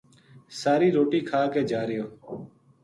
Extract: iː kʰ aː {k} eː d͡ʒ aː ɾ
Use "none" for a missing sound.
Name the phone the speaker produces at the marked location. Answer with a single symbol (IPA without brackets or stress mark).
k